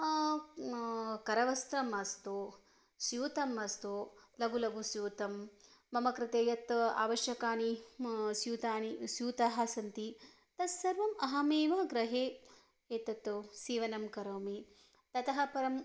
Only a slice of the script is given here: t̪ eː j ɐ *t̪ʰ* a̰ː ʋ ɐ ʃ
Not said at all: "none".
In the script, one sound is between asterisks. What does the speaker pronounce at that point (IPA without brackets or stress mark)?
t̪